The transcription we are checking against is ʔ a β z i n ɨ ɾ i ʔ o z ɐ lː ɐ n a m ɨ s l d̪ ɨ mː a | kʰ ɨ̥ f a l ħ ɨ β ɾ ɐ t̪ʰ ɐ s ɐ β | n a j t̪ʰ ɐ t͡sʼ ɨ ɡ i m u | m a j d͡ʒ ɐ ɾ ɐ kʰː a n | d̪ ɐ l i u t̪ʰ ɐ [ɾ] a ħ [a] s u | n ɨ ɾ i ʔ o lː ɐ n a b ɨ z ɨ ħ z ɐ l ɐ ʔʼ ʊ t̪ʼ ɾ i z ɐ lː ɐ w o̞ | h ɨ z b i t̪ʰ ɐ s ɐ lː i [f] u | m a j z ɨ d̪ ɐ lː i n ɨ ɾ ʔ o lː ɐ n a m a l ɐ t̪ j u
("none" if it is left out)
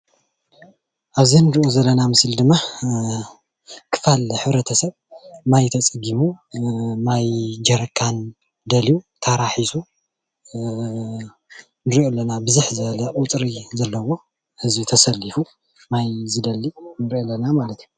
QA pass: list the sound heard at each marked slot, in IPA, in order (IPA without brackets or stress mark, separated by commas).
ɾ, i, f